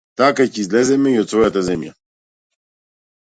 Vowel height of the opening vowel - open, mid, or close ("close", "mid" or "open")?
open